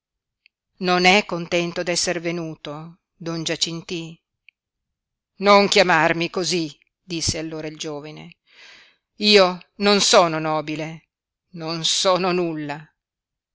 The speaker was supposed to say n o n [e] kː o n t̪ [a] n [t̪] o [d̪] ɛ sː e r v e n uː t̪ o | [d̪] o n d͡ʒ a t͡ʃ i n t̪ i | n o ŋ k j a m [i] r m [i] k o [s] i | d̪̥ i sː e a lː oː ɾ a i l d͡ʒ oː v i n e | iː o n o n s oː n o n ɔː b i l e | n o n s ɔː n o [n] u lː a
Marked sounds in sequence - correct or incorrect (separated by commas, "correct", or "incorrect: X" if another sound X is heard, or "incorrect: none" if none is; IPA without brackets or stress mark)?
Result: incorrect: ɛ, incorrect: ɛ, correct, correct, correct, incorrect: a, correct, incorrect: z, correct